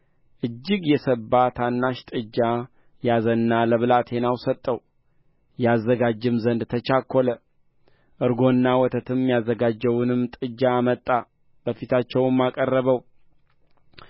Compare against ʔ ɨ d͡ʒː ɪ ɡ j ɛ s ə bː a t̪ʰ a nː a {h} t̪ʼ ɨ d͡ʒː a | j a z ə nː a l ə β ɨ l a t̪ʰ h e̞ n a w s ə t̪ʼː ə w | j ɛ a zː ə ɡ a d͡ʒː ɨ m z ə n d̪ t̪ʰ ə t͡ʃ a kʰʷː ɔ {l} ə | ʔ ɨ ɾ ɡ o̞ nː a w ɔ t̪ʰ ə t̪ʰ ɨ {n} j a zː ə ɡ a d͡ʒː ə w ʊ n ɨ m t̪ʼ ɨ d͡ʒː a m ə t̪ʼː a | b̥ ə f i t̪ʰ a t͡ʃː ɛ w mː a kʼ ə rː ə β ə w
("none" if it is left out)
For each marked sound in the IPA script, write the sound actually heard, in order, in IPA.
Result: ʃ, l, m

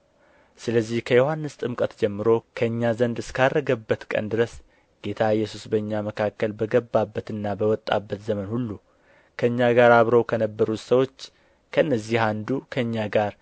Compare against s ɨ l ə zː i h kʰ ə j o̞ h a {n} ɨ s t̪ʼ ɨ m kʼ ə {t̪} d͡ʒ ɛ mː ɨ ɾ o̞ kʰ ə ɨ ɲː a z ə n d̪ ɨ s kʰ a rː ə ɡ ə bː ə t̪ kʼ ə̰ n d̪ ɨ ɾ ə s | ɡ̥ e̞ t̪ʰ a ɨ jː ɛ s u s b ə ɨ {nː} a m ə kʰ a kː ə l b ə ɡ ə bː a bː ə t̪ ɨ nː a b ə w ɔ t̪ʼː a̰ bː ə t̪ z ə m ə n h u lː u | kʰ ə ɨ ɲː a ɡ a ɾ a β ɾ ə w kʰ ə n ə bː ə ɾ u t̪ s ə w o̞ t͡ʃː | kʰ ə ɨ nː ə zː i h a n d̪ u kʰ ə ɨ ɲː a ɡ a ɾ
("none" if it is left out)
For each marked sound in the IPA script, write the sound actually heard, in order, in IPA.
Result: nː, t̪, ɲː

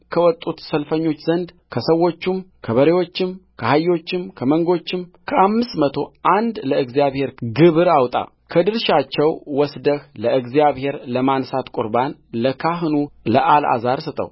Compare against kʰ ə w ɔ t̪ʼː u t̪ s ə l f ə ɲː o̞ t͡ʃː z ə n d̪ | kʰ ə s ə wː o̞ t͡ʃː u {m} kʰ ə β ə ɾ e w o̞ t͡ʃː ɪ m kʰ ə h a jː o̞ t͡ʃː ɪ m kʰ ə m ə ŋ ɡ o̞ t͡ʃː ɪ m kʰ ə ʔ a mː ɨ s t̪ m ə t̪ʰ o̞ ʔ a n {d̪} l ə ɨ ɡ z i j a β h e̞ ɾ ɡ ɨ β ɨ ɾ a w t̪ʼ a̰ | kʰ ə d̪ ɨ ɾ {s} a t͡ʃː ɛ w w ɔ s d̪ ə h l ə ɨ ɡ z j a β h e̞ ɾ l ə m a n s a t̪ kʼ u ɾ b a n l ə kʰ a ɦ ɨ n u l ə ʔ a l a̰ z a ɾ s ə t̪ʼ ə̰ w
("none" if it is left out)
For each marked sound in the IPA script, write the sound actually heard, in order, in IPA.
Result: m, d̪, ʃ

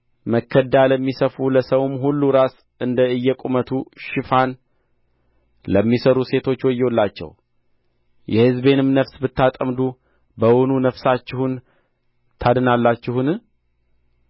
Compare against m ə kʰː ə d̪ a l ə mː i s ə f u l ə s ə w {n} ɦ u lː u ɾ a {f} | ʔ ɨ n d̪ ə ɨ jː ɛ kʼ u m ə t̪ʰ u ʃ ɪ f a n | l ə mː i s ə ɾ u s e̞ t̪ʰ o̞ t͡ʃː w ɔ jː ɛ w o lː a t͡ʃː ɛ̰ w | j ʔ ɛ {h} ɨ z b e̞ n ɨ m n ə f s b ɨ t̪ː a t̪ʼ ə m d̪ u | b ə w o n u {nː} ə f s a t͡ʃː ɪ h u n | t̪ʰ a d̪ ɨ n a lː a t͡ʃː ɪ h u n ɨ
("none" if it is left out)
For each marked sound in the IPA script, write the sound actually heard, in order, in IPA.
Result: m, s, h, n

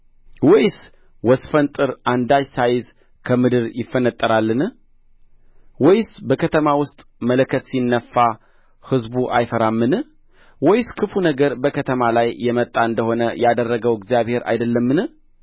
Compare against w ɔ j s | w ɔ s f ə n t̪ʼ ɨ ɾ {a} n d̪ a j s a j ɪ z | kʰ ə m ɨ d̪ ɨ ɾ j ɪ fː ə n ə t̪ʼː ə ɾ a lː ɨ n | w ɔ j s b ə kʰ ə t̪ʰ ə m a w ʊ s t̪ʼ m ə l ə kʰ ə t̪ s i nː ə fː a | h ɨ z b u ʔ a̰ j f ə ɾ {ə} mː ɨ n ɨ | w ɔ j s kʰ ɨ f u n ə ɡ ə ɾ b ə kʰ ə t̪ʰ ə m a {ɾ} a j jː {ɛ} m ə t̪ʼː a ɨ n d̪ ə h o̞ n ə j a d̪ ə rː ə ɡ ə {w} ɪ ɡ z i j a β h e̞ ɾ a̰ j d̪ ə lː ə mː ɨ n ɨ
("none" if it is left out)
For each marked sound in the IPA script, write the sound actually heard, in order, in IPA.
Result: a, a, l, ɛ, w

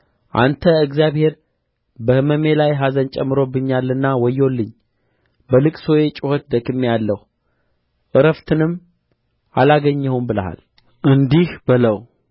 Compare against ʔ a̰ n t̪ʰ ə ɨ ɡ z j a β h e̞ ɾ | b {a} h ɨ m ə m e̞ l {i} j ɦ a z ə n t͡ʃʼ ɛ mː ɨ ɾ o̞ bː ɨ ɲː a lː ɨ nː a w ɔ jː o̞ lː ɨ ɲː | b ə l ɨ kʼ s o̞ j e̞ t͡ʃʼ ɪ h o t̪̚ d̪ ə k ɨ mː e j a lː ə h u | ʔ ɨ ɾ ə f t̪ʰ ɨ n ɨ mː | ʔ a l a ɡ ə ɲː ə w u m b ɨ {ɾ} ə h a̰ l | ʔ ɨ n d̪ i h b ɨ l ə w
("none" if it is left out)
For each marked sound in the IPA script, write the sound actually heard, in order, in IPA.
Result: ə, a, l

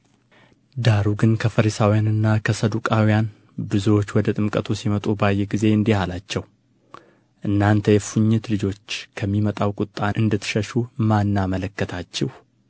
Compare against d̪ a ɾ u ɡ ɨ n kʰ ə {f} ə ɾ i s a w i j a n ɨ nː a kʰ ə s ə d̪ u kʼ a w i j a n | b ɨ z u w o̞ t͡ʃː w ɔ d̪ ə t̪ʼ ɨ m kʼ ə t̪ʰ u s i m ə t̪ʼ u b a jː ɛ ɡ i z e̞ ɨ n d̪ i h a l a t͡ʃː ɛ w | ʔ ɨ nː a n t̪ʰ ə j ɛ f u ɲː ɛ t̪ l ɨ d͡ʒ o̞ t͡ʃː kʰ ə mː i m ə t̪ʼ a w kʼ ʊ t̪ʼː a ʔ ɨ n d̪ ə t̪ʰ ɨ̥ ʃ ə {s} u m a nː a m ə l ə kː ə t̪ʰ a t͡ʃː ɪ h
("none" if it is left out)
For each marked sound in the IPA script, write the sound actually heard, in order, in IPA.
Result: f, ʃ

